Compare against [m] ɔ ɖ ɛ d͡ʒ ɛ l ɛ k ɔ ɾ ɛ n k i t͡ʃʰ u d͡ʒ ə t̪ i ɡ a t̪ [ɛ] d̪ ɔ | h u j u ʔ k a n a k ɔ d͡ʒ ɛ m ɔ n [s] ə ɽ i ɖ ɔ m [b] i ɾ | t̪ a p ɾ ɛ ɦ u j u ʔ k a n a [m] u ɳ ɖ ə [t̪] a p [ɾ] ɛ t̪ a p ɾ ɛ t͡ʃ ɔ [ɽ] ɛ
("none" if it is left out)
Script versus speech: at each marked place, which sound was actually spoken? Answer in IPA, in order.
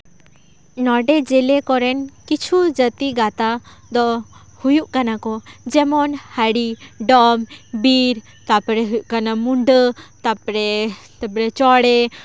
n, a, h, b, m, t̪, ɾ, ɽ

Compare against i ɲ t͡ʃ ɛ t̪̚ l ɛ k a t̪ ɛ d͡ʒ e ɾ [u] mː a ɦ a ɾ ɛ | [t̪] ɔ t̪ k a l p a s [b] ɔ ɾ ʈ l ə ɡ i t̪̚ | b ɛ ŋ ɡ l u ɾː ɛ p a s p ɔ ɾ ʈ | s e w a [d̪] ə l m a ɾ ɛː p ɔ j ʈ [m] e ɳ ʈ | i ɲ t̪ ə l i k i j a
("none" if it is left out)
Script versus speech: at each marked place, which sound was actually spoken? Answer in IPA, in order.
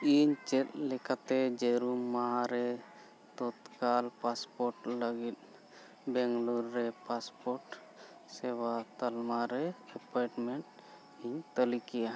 u, t̪, p, t̪, m

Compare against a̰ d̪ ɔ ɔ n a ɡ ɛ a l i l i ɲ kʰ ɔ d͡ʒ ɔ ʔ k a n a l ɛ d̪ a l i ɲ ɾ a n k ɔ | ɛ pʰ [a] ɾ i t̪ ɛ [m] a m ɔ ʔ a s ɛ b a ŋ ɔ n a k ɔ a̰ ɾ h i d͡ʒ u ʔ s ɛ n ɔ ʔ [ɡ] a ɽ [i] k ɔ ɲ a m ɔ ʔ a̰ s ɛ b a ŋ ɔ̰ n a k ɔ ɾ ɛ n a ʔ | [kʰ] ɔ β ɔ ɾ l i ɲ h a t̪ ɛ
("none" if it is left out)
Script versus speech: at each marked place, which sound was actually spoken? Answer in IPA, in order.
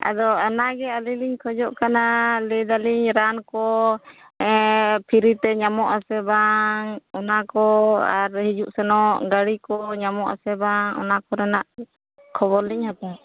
i, ɲ, ɡ, i, kʰ

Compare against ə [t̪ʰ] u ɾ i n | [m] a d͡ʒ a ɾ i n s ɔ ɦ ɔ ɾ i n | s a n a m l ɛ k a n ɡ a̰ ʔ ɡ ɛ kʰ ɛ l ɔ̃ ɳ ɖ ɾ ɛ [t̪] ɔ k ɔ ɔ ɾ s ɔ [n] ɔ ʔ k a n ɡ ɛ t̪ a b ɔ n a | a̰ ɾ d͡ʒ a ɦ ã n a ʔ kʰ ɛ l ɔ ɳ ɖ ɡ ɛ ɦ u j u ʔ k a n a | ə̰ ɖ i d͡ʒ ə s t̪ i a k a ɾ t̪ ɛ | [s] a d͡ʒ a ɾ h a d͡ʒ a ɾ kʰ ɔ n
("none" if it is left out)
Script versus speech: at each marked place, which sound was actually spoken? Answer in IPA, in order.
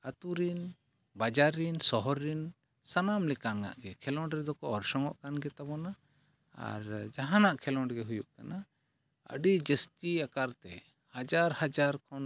t̪, b, d̪, ŋ, h

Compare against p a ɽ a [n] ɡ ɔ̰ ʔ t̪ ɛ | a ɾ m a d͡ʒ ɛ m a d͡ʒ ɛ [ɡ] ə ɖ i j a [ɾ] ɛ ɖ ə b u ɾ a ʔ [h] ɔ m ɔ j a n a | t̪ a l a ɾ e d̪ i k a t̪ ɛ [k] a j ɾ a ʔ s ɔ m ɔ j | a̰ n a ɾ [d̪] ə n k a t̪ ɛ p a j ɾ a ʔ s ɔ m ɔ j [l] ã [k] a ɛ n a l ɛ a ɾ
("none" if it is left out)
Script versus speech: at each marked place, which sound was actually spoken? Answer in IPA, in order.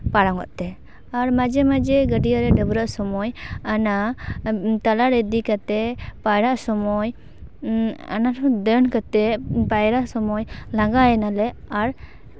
ŋ, ɡ, ɾ, s, p, d̪, l, ɡ

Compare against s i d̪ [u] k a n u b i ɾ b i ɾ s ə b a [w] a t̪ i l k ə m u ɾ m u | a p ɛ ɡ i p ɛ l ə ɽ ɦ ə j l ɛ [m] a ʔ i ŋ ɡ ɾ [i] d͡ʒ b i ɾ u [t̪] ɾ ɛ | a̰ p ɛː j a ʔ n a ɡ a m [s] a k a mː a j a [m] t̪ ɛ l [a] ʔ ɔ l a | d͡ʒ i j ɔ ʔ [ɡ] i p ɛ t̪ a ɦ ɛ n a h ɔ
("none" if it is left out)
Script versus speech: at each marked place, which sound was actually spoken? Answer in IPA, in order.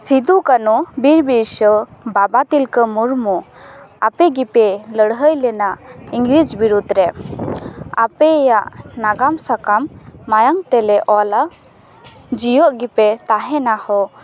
u, b, n, i, d̪, s, ŋ, ɛ, ɡ

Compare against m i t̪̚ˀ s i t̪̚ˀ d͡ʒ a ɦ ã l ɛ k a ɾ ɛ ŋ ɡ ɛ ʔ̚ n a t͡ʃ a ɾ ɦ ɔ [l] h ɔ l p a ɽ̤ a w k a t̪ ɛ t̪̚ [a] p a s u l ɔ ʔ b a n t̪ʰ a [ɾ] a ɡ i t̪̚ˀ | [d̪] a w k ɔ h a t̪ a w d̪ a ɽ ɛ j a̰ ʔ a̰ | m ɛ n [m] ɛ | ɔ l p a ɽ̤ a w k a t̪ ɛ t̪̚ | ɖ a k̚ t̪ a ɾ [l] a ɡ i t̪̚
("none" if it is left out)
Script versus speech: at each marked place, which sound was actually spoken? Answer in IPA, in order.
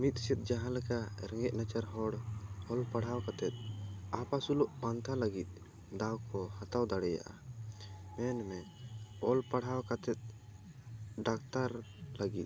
ɽ, a, l, d̪, m, l

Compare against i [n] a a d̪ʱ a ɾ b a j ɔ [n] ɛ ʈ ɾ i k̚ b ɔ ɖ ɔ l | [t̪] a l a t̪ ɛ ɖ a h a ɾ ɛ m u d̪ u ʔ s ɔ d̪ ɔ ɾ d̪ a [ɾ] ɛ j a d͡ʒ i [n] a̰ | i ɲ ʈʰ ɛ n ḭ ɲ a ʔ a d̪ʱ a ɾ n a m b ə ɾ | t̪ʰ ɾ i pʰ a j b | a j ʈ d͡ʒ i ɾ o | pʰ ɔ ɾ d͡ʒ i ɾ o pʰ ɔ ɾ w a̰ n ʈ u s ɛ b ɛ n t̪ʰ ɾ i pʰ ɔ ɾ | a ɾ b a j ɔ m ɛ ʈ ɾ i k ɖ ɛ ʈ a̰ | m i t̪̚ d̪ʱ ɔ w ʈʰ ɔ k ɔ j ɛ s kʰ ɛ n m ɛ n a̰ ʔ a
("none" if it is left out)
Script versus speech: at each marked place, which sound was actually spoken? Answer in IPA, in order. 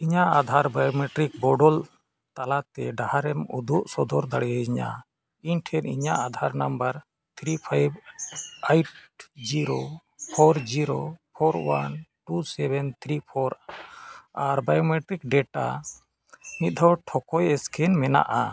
ɲ, m, t̪, ɽ, ɲ

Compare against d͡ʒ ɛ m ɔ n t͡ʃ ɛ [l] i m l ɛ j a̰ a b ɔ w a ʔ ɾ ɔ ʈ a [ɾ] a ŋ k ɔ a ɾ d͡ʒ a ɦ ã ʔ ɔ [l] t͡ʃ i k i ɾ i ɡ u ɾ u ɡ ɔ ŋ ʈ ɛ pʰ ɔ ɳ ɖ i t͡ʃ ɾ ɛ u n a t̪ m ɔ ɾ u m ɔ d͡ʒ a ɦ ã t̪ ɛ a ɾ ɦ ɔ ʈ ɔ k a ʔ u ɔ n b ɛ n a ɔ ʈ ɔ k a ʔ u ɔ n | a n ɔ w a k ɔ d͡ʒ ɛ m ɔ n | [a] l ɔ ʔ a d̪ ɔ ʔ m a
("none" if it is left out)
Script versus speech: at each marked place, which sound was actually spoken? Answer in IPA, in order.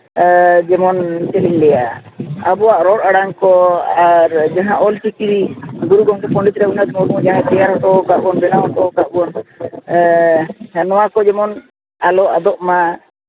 l, ɽ, l, a

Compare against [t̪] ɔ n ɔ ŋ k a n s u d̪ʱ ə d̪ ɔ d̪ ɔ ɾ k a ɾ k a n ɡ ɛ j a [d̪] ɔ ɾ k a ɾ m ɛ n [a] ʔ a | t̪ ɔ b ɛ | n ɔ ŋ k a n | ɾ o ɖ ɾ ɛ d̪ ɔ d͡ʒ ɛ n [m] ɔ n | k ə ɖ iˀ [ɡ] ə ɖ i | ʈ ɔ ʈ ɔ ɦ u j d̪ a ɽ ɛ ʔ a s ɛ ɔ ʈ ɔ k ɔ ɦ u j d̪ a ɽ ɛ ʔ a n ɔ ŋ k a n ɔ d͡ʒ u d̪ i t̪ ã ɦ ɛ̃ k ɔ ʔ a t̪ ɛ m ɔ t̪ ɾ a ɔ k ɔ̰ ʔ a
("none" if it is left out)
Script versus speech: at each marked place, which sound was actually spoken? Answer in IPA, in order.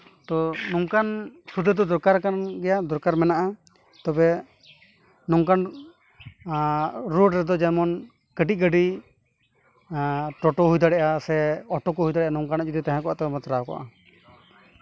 t̪, d̪, a, m, ɡ

